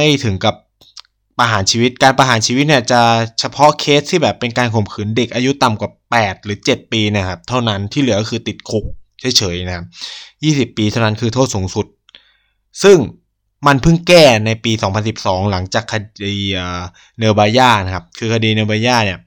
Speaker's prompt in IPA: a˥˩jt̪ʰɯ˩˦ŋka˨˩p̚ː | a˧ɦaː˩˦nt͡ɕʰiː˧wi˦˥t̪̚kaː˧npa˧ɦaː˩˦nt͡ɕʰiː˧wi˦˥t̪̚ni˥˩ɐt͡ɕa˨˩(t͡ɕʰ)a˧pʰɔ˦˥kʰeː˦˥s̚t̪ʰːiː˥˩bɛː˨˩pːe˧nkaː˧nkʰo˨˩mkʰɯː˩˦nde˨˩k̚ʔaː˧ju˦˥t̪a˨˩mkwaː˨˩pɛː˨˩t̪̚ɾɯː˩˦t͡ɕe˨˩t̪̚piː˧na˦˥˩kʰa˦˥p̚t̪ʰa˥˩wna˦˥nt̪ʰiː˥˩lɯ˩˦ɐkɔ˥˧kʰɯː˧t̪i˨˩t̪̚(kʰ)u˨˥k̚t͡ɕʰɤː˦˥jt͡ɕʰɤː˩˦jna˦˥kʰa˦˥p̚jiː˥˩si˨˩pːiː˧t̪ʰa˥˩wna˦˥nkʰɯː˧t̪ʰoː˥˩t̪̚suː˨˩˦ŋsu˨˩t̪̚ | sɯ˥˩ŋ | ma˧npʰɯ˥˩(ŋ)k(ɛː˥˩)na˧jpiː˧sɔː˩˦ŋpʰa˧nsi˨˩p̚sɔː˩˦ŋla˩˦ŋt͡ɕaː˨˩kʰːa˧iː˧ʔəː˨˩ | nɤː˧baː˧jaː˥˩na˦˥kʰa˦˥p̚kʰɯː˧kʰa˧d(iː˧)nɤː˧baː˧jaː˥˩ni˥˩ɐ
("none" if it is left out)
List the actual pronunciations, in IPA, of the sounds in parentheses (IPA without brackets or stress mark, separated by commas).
t͡ɕʰ, kʰ, ŋ, ɛː˥˩, iː˧